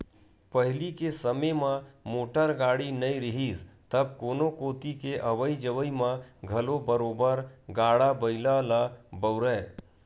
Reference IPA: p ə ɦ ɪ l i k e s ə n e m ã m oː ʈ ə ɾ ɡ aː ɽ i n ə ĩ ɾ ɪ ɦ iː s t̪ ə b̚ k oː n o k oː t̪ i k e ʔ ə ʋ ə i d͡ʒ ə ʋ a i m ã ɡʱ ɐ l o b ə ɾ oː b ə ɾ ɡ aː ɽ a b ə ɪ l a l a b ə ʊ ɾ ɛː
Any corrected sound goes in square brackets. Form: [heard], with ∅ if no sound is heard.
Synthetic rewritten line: p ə ɦ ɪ l i k e s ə [m] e m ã m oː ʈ ə ɾ ɡ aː ɽ i n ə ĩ ɾ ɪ ɦ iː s t̪ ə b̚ k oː n o k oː t̪ i k e ʔ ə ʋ ə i d͡ʒ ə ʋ [ə] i m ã ɡʱ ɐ l o b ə ɾ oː b ə ɾ ɡ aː ɽ a b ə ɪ l a l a b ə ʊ ɾ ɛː

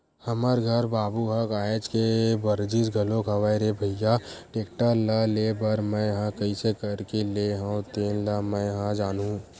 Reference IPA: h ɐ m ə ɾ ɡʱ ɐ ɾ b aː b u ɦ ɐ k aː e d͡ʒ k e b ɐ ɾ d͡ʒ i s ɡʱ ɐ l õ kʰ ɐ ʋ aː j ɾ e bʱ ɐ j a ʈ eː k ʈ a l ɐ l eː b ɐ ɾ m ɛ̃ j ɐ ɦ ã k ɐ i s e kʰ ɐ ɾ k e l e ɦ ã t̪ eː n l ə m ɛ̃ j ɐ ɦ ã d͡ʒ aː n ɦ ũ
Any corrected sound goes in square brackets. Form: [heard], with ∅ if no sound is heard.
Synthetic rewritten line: h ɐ m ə ɾ ɡʱ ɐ ɾ b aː b u ɦ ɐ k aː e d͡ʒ k e b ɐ ɾ d͡ʒ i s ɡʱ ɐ l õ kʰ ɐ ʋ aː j ɾ e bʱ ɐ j a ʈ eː k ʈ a l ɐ l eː b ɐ ɾ m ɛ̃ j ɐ ɦ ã k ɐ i s e [k] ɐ ɾ k e l e ɦ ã t̪ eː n l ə m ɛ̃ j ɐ ɦ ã d͡ʒ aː n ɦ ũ

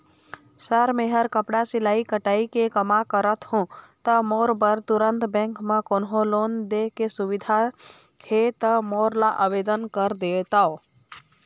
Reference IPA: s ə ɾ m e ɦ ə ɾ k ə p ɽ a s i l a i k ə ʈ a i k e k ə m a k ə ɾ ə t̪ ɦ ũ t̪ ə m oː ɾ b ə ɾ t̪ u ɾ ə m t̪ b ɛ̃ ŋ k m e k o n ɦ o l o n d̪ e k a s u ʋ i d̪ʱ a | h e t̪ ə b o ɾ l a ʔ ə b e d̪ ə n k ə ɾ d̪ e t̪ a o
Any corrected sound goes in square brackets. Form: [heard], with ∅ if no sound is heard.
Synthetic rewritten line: s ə ɾ m e ɦ ə ɾ k ə p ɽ a s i l a i k ə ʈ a i k e k ə m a k ə ɾ ə t̪ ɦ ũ t̪ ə m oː ɾ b ə ɾ t̪ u ɾ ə [n] t̪ b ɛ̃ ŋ k m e k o n ɦ o l o n d̪ e k [e] s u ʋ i d̪ʱ a | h e t̪ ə [m] o ɾ l a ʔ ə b e d̪ ə n k ə ɾ d̪ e t̪ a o

